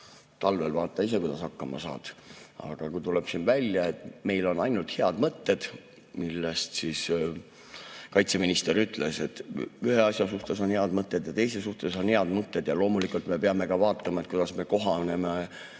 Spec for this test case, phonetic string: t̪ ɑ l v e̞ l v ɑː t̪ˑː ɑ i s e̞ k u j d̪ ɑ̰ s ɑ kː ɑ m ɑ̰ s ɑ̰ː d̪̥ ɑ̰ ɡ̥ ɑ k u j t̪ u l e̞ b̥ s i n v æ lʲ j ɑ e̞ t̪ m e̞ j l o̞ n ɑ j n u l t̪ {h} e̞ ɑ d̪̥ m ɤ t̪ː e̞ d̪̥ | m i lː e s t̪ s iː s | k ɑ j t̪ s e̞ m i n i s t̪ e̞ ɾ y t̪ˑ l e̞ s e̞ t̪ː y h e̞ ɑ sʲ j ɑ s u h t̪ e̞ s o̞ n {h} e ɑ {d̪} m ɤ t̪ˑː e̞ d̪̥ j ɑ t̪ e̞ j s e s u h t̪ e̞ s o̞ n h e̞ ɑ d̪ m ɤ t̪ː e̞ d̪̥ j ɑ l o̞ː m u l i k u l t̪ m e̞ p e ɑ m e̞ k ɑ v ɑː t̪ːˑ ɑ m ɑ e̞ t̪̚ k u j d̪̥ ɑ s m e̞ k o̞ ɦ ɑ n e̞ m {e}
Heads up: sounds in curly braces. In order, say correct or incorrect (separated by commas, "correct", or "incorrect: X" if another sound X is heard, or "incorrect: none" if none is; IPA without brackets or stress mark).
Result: correct, correct, correct, correct